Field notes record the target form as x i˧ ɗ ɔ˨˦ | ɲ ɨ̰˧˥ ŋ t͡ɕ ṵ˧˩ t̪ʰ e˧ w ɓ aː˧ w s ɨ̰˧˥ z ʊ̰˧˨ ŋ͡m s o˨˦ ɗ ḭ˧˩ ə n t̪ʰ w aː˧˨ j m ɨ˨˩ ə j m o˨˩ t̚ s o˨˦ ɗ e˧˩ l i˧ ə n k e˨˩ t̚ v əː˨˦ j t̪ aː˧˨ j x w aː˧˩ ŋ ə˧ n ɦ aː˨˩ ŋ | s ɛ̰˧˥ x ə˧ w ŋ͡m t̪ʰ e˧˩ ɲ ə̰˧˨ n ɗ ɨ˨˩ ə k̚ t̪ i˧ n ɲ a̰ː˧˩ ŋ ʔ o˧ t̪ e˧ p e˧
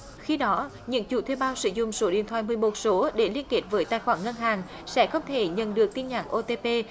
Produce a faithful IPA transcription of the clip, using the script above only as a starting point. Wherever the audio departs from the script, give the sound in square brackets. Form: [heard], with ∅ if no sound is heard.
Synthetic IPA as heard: x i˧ ɗ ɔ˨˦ | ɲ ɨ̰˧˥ ŋ t͡ɕ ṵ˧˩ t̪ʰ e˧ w ɓ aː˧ w s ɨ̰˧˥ z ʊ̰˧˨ ŋ͡m s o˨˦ ɗ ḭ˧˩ ə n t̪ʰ w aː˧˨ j m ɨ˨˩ ə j m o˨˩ t̚ s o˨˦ ɗ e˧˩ l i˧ ə n k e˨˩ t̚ v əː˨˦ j t̪ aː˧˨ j x w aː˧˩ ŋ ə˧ n ɦ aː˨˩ ŋ | s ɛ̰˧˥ x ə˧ w ŋ͡m t̪ʰ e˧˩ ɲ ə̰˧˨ n ɗ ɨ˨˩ ə k̚ t̪ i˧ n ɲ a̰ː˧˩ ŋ ʔ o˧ t̪ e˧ p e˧